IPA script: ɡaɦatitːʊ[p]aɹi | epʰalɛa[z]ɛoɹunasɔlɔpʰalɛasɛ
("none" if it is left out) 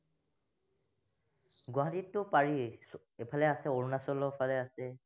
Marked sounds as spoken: p, s

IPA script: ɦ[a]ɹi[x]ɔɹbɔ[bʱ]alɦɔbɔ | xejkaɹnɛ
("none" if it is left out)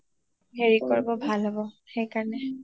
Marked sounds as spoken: e, k, bʱ

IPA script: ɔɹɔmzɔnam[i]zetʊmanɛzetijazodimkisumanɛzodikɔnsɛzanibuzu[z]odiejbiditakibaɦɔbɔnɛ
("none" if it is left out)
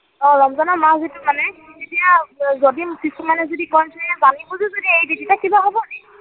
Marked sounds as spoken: a, z

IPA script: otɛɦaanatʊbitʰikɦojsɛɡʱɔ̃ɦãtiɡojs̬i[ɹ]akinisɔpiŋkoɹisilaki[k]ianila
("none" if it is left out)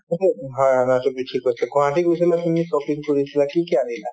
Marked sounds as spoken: l, k

